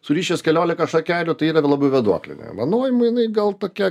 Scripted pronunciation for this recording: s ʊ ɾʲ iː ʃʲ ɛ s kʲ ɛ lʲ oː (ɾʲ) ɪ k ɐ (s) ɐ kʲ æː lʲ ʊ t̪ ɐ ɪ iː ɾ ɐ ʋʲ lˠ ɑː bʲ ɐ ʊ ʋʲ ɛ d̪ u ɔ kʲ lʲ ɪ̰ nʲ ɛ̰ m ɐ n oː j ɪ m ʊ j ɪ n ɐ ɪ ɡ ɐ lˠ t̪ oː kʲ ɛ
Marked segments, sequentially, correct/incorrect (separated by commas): incorrect, incorrect